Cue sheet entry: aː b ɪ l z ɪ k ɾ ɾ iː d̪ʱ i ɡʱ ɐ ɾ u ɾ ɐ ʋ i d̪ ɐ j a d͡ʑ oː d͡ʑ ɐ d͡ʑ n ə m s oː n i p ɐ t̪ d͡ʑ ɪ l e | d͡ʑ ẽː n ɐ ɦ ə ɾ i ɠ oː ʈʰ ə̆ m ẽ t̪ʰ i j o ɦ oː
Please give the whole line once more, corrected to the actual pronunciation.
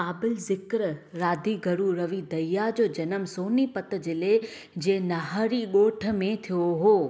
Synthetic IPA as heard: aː b ɪ l z ɪ k ɾ ɾ aː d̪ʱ i ɡʱ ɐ ɾ u ɾ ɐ ʋ i d̪ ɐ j a d͡ʑ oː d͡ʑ ɐ n ə m s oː n i p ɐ t̪ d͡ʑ ɪ l e | d͡ʑ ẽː n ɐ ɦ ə ɾ i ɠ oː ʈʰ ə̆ m ẽ t̪ʰ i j o ɦ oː